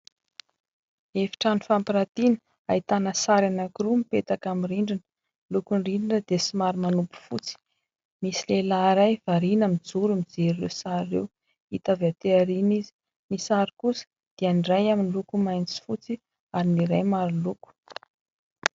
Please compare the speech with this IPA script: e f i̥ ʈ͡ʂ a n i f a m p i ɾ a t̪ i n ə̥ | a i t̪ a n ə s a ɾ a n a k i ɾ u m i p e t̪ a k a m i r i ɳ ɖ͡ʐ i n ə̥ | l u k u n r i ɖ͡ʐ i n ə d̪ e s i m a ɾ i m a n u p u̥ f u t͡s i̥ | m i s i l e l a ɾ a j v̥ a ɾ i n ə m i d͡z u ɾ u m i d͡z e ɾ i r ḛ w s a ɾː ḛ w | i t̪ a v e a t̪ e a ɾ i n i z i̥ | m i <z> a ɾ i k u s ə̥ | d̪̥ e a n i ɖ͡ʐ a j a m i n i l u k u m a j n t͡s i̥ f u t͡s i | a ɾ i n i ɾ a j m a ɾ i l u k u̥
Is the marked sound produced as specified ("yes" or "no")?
no